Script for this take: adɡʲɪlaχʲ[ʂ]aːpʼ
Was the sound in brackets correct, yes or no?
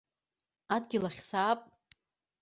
no